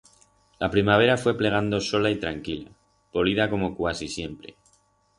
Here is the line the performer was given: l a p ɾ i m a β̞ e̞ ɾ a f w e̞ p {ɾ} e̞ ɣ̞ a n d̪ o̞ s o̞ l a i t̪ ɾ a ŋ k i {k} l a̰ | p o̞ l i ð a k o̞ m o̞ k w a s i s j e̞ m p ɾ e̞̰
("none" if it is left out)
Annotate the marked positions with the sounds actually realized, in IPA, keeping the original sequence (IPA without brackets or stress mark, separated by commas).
l, none